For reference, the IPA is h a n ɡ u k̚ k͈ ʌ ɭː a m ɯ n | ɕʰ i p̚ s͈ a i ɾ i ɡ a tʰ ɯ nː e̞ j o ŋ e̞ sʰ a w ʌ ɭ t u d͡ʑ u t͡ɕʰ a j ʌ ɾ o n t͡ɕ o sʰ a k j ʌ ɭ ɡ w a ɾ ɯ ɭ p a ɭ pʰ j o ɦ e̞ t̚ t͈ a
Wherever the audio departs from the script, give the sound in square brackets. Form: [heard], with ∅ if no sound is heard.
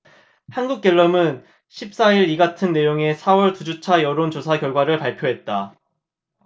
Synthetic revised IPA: h a n ɡ u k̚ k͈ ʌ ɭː [ʌ] m ɯ n | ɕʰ i p̚ s͈ a i ɾ i ɡ a tʰ ɯ nː e̞ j o ŋ e̞ sʰ a w ʌ ɭ t u d͡ʑ u t͡ɕʰ a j ʌ ɾ o n t͡ɕ o sʰ a k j ʌ ɭ ɡ w a ɾ ɯ ɭ p a ɭ pʰ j o ɦ e̞ t̚ t͈ a